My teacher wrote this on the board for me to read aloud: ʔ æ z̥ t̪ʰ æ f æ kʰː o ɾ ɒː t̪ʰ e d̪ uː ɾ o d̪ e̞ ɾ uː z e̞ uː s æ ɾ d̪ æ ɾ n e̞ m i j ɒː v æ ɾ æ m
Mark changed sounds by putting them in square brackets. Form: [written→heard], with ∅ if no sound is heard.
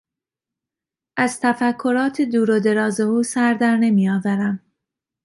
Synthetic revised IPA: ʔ æ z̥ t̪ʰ æ f æ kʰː o ɾ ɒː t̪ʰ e d̪ uː ɾ o d̪ e̞ ɾ [uː→ɒː] z e̞ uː s æ ɾ d̪ æ ɾ n e̞ m i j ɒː v æ ɾ æ m

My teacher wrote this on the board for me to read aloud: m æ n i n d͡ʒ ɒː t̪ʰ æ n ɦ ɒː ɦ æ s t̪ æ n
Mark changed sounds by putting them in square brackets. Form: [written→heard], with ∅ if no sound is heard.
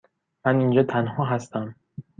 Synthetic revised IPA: m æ n i n d͡ʒ ɒː t̪ʰ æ n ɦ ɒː ɦ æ s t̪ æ [n→m]

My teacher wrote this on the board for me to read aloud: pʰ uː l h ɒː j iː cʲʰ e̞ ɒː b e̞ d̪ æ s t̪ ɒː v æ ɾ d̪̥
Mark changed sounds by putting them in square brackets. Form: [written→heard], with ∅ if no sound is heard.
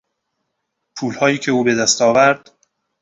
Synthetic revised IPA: pʰ uː l h ɒː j iː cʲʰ e̞ [ɒː→uː] b e̞ d̪ æ s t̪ ɒː v æ ɾ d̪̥

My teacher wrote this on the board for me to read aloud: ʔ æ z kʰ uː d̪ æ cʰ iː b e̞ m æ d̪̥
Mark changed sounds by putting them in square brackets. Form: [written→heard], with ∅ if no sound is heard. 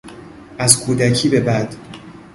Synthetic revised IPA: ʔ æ z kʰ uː d̪ æ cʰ iː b e̞ [m→b] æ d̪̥

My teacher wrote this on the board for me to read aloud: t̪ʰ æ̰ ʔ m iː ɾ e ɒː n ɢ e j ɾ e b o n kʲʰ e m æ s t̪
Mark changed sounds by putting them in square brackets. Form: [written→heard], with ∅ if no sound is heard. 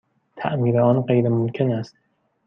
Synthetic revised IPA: t̪ʰ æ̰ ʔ m iː ɾ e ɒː n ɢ e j ɾ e [b→m] o [n→m] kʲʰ e [m→n] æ s t̪

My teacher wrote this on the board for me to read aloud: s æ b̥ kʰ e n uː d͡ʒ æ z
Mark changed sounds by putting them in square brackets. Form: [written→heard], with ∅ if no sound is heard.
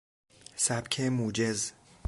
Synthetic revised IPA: s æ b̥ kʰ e [n→m] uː d͡ʒ [æ→e] z

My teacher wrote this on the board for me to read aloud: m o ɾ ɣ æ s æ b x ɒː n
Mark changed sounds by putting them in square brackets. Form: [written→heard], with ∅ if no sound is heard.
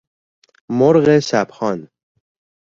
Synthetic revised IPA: m o ɾ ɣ [æ→e] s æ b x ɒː n

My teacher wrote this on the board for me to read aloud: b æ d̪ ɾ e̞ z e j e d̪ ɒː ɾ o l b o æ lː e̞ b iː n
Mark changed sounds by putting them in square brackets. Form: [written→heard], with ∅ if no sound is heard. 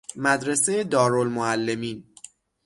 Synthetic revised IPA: [b→m] æ d̪ ɾ e̞ [z→s] e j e d̪ ɒː ɾ o l [b→m] o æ lː e̞ [b→m] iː n

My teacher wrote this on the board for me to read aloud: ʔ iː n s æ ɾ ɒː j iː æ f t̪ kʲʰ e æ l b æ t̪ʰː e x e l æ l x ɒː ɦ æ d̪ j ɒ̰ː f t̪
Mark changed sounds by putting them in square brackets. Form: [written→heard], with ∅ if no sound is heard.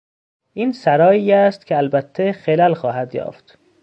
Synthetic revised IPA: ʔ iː n s æ ɾ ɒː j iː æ [f→s] t̪ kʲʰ e æ l b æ t̪ʰː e x e l æ l x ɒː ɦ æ d̪ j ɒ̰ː f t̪

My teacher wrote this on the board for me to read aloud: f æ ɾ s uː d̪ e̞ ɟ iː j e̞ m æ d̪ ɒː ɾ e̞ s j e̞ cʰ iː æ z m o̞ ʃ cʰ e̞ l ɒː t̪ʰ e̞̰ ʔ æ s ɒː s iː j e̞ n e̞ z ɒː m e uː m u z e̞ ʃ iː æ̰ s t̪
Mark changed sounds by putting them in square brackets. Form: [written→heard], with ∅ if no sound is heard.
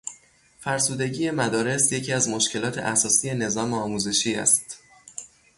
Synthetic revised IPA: f æ ɾ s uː d̪ e̞ ɟ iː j e̞ m æ d̪ ɒː ɾ e̞ s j e̞ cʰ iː æ z m o̞ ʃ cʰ e̞ l ɒː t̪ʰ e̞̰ ʔ æ s ɒː s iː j e̞ n e̞ z ɒː m e [uː→ɒː] m u z e̞ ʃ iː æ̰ s t̪

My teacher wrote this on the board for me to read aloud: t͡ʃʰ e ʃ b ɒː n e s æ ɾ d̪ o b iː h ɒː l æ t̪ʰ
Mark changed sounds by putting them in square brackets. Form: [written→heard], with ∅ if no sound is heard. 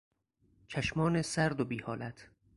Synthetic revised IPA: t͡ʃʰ [e→æ] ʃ [b→m] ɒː n e s æ ɾ d̪ o b iː h ɒː l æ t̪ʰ

